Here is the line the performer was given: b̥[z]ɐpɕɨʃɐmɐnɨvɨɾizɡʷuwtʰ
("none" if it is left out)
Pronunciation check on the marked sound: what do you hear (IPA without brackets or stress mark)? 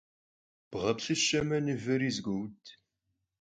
ʁ